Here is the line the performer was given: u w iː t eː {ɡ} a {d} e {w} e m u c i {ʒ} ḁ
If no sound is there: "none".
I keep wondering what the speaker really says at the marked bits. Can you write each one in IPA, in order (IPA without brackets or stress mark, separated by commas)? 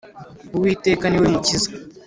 k, n, w, z